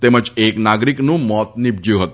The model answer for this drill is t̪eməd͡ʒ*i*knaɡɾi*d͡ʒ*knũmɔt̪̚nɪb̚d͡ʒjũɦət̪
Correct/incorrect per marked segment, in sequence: incorrect: e, incorrect: none

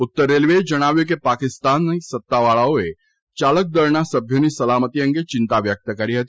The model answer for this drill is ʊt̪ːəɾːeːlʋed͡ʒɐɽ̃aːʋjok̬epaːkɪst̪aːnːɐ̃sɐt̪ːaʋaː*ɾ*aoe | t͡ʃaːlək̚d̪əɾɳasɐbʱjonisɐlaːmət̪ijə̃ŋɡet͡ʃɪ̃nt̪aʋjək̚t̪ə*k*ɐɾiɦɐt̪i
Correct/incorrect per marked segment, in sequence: incorrect: ɭ, correct

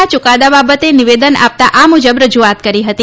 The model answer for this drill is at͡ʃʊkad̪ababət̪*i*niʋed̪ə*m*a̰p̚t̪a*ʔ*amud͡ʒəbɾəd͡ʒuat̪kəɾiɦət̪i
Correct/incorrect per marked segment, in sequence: incorrect: e, incorrect: n, correct

